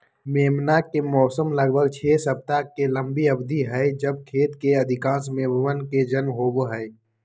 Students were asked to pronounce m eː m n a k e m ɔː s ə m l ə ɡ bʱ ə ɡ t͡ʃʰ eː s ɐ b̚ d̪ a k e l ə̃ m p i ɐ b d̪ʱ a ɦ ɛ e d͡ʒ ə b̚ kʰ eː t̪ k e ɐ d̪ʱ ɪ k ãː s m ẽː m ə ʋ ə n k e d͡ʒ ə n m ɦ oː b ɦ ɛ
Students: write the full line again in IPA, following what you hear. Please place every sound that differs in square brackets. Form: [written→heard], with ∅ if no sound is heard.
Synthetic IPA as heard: m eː m n a k e m ɔː s ə m l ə ɡ bʱ ə ɡ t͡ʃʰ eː s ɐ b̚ [d̪→t̪] a k e l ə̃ m [p→b] i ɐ b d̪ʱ [a→i] ɦ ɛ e d͡ʒ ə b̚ kʰ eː t̪ k e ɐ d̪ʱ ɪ k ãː s m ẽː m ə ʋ ə n k e d͡ʒ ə n m ɦ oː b ɦ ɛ